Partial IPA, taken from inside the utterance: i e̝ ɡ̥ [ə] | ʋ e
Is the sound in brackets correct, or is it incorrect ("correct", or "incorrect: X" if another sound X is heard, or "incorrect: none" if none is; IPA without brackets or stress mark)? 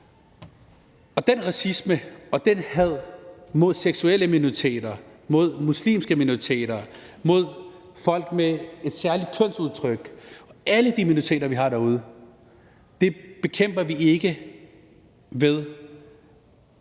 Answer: correct